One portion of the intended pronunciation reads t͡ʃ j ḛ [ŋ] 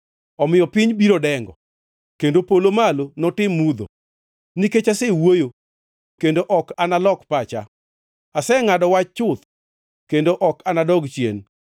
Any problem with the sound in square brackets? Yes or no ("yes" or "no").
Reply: yes